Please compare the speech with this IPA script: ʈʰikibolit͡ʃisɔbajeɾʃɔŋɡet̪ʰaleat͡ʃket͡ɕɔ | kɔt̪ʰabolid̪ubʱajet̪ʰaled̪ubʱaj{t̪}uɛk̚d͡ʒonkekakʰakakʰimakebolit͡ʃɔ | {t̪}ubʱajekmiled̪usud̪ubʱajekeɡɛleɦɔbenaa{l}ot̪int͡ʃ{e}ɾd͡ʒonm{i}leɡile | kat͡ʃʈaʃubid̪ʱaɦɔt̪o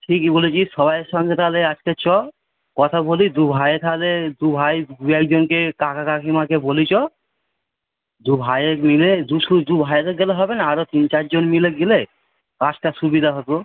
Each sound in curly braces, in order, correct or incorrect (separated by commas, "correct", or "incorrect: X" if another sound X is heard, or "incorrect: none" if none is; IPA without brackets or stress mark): incorrect: d̪, incorrect: d̪, incorrect: ɾ, incorrect: a, correct